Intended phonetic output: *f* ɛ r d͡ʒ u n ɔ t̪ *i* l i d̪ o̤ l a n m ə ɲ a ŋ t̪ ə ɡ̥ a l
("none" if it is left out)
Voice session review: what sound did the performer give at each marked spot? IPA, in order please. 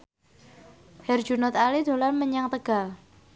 h, a

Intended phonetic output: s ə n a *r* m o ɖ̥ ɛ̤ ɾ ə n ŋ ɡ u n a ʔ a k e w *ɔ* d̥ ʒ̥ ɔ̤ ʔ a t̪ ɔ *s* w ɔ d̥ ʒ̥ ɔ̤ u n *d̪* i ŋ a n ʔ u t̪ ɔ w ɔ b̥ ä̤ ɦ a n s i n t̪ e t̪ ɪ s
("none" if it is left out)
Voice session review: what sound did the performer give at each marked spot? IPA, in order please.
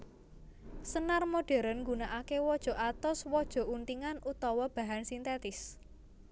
r, ɔ, s, t̪

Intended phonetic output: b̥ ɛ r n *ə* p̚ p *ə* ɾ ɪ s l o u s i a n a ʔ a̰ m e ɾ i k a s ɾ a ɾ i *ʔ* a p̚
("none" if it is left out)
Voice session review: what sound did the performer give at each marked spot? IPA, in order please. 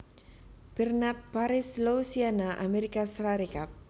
a, a, k

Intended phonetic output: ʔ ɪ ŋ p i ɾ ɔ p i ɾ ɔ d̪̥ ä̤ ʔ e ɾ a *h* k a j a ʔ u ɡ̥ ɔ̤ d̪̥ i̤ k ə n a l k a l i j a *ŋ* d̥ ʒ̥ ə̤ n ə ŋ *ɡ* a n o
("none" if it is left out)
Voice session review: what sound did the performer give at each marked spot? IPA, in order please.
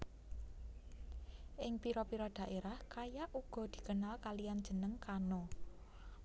h, n, k

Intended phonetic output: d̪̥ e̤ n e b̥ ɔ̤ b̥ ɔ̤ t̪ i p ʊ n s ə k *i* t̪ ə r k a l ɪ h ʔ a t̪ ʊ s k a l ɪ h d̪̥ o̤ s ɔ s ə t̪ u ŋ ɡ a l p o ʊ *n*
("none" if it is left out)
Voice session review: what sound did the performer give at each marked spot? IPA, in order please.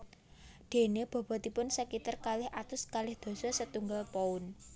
i, n

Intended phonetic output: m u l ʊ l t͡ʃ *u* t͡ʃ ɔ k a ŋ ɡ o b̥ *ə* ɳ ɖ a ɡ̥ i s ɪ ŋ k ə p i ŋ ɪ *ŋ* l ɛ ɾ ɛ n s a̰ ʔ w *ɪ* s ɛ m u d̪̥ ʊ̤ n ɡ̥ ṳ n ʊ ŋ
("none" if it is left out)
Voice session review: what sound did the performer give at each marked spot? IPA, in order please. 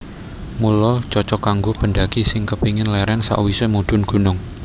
ɔ, ə, n, i

